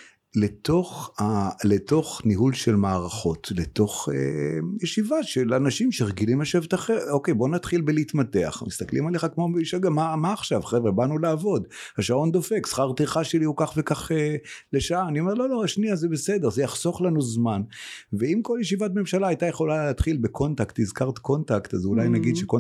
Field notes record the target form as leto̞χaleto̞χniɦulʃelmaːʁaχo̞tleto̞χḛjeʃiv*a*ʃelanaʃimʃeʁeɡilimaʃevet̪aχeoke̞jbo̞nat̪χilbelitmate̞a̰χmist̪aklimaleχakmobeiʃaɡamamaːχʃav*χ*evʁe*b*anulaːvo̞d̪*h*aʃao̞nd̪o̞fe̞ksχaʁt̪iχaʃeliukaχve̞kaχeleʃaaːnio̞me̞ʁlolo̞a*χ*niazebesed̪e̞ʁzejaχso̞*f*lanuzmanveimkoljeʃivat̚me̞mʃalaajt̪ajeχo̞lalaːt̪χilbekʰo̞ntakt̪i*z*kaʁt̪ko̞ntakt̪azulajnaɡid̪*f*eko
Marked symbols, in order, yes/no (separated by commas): yes, yes, yes, yes, no, no, yes, no